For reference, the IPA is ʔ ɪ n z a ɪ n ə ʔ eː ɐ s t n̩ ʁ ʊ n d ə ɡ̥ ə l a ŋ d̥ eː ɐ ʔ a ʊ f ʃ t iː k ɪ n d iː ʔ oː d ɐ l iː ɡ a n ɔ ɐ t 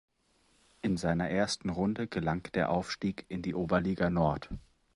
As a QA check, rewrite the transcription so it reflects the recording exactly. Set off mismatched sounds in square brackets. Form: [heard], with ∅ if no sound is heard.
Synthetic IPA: ʔ ɪ n z a ɪ n [ɐ] ʔ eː ɐ s t n̩ ʁ ʊ n d ə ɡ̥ ə l a ŋ d̥ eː ɐ ʔ a ʊ f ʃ t iː k ɪ n d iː ʔ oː [b] ɐ l iː ɡ a n ɔ ɐ t